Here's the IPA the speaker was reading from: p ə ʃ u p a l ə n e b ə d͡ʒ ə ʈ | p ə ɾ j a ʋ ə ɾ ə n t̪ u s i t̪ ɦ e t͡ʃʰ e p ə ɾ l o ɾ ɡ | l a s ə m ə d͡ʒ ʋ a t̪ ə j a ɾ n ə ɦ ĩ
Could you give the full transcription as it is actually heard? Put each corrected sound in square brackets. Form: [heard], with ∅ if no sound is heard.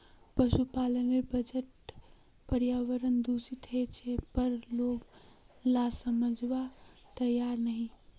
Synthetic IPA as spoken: p ə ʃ u p a l ə n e b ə d͡ʒ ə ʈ | p ə ɾ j a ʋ ə ɾ ə n [d̪] u s i t̪ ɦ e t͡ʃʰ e p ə ɾ l o [∅] ɡ | l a s ə m ə d͡ʒ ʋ a t̪ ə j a ɾ n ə ɦ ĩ